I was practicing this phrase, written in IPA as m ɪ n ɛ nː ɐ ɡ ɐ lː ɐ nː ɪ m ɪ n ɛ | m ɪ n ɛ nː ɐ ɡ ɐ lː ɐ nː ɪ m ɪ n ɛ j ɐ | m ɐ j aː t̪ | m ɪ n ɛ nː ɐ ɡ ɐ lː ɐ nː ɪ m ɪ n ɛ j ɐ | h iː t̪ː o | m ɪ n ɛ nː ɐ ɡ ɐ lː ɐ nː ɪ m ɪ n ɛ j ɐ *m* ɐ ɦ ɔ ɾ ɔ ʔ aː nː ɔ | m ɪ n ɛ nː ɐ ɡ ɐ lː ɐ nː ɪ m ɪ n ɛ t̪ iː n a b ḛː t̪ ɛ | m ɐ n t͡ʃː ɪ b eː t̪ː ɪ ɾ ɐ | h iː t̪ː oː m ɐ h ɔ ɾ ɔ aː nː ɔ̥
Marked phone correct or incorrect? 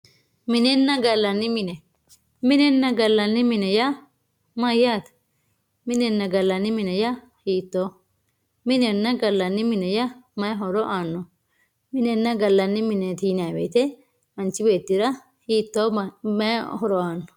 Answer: correct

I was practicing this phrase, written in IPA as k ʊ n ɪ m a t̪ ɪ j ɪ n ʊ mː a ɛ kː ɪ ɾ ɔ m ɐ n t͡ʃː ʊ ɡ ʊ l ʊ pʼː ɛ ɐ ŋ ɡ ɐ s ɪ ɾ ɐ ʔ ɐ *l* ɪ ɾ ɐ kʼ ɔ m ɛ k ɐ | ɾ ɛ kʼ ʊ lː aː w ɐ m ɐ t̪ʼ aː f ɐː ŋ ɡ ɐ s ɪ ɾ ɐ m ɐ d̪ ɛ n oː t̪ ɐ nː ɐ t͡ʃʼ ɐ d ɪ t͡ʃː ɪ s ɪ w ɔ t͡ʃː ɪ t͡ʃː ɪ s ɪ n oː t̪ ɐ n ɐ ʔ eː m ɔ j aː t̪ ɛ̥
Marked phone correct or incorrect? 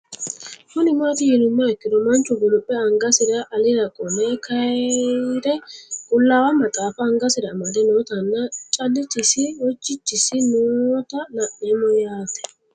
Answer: correct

